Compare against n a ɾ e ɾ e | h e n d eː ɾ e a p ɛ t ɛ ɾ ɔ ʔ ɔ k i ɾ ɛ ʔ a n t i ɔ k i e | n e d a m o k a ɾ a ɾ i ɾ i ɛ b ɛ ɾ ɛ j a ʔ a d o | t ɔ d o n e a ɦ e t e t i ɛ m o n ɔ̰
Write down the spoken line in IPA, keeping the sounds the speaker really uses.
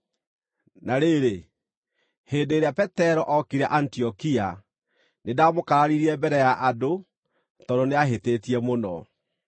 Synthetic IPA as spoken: n a ɾ e ɾ e | h e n d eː ɾ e a p ɛ t ɛ ɾ ɔ ʔ ɔ k i ɾ ɛ ʔ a n t i ɔ k i a | n e d a m o k a ɾ a ɾ i ɾ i ɛ b ɛ ɾ ɛ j a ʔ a d o | t ɔ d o n e a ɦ e t e t i ɛ m o n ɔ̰